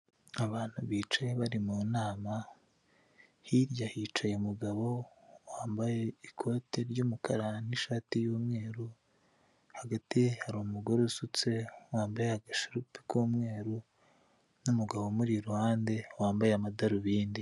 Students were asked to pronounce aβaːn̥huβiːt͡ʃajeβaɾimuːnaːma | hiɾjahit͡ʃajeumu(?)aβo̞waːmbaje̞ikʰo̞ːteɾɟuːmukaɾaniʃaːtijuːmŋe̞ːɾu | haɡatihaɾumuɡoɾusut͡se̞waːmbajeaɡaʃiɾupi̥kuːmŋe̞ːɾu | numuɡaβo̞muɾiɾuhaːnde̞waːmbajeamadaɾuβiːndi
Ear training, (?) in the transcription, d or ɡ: ɡ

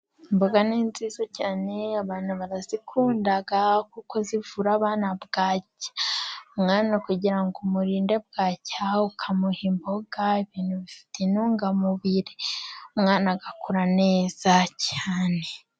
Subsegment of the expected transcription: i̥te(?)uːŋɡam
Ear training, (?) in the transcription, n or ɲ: n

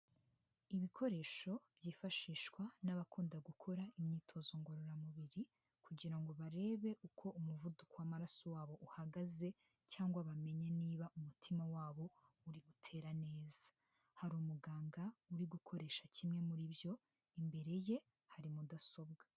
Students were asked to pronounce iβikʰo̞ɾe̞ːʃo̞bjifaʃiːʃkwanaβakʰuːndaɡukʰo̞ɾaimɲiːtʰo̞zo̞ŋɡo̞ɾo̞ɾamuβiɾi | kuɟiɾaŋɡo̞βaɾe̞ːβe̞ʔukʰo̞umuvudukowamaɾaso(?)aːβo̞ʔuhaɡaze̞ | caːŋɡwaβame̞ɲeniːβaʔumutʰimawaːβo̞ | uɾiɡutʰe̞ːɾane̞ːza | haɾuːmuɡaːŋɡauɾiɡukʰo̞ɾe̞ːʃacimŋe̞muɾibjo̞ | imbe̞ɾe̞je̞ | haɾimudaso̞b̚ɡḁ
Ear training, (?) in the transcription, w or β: w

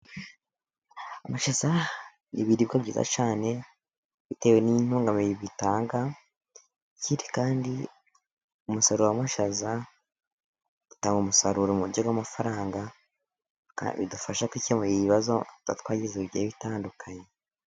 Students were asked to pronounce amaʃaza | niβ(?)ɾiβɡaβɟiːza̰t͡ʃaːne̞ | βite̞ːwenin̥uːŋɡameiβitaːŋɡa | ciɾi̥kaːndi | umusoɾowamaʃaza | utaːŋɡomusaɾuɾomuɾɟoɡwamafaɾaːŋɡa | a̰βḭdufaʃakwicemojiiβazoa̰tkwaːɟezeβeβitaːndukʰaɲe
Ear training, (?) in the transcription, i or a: i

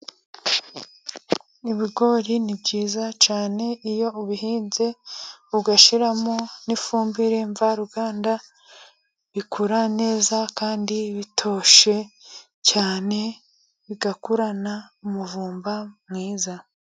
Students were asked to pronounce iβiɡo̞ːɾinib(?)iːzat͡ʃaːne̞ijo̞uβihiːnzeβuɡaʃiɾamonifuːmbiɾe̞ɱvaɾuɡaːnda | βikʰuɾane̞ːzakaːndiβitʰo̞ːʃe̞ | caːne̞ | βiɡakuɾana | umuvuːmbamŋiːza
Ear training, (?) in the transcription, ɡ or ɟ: ɟ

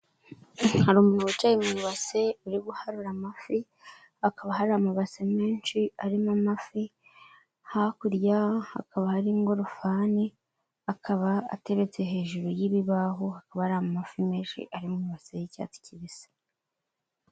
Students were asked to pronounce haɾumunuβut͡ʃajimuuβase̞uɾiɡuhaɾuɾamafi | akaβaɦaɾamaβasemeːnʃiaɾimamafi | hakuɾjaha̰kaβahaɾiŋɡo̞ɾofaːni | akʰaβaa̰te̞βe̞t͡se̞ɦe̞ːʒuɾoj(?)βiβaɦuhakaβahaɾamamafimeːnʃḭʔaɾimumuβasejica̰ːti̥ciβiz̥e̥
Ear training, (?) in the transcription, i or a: i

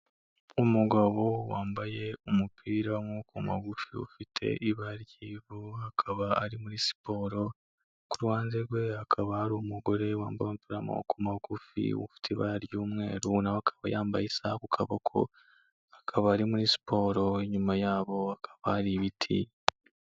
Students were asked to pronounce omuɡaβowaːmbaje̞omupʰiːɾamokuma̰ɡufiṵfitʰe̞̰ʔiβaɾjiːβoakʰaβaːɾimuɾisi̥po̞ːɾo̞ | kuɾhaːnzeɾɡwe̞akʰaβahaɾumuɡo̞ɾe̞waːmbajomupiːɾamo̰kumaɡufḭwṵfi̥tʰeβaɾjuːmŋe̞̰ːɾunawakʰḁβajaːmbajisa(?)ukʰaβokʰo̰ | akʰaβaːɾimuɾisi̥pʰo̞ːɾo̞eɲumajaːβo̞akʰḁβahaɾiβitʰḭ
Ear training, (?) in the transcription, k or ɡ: k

